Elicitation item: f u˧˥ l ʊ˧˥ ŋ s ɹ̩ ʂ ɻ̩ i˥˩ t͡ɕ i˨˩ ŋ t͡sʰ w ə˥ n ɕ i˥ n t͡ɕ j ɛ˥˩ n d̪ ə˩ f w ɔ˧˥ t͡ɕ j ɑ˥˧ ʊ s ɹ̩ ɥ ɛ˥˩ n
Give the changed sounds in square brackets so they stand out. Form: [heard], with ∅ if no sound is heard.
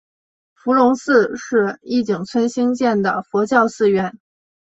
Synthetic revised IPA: f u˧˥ l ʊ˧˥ ŋ s ɹ̩ ʂ ɻ̩ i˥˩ t͡ɕ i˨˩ ŋ t͡sʰ w ə˥ n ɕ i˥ [ŋ] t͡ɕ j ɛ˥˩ n d̪ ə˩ f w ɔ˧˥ t͡ɕ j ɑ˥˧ ʊ s ɹ̩ ɥ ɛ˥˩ n